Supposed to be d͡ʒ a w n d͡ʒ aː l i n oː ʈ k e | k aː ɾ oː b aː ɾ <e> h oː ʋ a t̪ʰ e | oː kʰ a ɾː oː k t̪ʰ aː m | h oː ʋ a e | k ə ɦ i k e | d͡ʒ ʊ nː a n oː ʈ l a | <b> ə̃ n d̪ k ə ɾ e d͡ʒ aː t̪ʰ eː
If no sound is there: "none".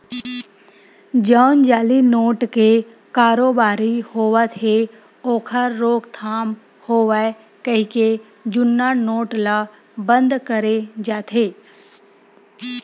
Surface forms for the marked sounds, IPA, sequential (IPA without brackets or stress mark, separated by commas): i, b